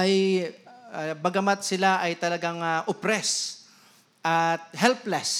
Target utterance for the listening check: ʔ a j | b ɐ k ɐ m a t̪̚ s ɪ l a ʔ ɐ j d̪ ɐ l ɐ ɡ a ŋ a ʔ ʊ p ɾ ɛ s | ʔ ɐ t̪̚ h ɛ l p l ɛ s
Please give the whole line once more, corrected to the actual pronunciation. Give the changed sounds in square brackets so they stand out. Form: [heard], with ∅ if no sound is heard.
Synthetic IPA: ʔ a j | b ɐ [ɡ] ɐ m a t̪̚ s ɪ l a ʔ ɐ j [t̪] ɐ l ɐ ɡ a ŋ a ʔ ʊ p ɾ ɛ s | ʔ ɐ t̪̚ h ɛ l p l ɛ s